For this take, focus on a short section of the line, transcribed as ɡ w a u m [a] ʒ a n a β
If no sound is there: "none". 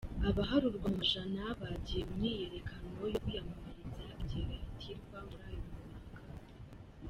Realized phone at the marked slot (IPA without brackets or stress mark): a